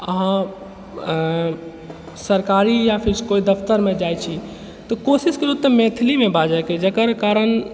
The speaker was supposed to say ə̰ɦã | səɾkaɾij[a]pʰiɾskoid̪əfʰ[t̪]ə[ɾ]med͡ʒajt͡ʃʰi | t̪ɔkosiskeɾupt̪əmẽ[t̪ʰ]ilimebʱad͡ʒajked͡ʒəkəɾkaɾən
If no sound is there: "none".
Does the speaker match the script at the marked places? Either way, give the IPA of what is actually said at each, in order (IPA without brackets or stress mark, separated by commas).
a, t̪, ɾ, t̪ʰ